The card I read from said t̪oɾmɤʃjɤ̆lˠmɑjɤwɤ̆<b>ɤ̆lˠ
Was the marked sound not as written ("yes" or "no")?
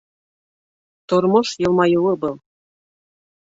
no